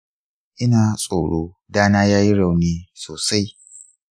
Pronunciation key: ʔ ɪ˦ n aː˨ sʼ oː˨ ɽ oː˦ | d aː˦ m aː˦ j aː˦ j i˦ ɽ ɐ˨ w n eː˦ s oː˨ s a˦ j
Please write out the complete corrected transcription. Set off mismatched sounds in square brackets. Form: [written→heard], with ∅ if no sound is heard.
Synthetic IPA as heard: ʔ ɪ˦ n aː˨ sʼ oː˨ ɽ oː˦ | d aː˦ [m→n] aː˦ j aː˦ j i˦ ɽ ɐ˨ w n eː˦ s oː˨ s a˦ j

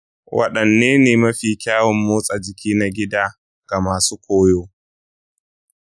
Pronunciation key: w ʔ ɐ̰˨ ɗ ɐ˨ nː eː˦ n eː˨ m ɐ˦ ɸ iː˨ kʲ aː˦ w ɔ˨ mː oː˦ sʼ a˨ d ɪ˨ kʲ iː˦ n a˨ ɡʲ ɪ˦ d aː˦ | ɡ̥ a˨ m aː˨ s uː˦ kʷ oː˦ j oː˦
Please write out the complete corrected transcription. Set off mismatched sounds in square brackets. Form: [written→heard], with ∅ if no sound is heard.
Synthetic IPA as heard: w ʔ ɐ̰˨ ɗ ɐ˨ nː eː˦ n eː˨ m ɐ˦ ɸ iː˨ kʲ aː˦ w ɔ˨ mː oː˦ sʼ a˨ [d→d͡ʒ] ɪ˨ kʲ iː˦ n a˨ ɡʲ ɪ˦ d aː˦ | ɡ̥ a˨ m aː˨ s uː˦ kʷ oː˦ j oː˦

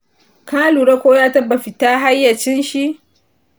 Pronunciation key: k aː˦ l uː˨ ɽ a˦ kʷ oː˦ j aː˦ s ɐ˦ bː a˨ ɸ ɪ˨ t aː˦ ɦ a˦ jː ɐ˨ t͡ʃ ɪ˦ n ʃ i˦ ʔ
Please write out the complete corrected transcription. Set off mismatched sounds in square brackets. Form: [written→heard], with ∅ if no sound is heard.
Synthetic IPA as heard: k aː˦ l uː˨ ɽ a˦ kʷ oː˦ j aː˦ [s→t] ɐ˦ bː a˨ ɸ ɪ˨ t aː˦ ɦ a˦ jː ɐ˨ t͡ʃ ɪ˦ n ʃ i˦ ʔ

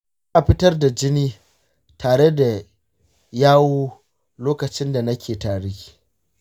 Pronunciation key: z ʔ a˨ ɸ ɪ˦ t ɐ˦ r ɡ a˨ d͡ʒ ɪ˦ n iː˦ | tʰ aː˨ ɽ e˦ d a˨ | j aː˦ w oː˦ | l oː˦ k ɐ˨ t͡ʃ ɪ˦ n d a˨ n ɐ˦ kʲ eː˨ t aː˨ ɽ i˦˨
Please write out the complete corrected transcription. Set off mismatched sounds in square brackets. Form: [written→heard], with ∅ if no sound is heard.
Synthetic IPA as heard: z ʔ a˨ ɸ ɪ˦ t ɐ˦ r [ɡ→d] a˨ d͡ʒ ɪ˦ n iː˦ | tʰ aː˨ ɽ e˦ d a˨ | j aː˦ w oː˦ | l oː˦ k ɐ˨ t͡ʃ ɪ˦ n d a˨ n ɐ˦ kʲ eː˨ t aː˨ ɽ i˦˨

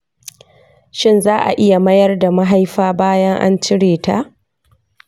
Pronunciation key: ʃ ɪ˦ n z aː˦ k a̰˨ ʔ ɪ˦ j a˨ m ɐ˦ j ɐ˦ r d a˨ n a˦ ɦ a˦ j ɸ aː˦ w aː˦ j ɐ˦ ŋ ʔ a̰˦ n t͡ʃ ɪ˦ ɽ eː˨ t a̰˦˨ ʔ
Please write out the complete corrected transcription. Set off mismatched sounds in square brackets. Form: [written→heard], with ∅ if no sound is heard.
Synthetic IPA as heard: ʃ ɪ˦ n z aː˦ [k→ʔ] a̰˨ ʔ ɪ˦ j a˨ m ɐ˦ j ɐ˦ r d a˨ [n→m] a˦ ɦ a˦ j ɸ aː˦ [w→b] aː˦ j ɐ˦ ŋ ʔ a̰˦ n t͡ʃ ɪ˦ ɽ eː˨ t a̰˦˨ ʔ

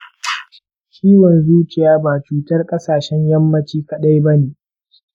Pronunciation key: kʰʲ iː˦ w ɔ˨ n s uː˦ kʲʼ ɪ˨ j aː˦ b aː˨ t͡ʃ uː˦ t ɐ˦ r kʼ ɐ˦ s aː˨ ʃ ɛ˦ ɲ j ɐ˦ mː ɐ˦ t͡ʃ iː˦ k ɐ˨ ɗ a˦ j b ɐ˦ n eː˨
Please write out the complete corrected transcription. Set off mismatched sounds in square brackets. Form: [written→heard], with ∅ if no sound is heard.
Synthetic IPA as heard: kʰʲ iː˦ w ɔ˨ n [s→z] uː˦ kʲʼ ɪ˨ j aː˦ b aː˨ t͡ʃ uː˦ t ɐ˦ r kʼ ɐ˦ s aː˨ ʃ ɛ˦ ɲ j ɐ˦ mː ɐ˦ t͡ʃ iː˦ k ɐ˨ ɗ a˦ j b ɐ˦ n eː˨

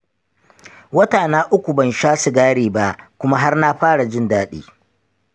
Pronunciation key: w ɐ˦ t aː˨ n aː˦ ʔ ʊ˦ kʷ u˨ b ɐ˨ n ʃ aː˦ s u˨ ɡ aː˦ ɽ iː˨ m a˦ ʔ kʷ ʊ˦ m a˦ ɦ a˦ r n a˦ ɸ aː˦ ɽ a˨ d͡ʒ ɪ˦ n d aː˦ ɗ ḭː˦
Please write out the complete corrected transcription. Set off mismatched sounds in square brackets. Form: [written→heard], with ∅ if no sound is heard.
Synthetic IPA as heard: w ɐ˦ t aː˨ n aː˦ ʔ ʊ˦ kʷ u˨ b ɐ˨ n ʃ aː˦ s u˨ ɡ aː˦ ɽ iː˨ [m→b] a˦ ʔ kʷ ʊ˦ m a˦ ɦ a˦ r n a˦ ɸ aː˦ ɽ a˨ d͡ʒ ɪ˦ n d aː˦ ɗ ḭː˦

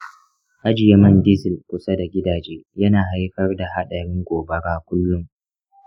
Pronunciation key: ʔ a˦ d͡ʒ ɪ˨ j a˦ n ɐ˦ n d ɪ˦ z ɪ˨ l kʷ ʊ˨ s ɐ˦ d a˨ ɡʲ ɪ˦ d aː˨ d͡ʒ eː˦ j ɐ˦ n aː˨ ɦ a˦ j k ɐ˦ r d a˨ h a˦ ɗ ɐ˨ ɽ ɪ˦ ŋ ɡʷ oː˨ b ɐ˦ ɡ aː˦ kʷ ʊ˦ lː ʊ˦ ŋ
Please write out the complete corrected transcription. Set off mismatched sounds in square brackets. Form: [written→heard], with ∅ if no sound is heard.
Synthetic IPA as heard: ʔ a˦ d͡ʒ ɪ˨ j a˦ [n→m] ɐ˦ n d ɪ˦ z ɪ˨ l kʷ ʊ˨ s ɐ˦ d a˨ ɡʲ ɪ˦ d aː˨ d͡ʒ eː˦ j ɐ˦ n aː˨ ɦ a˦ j k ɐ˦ r d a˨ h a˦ ɗ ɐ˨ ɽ ɪ˦ ŋ ɡʷ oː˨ b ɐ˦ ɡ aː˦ kʷ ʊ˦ lː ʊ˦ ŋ

